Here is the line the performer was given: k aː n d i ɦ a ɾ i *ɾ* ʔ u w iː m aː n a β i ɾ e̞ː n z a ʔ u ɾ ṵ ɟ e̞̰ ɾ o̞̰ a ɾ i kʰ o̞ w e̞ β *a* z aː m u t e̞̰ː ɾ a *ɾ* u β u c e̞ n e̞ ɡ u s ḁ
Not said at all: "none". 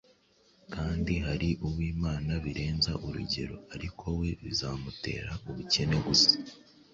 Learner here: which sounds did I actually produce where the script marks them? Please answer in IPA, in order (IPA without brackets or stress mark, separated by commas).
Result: none, i, none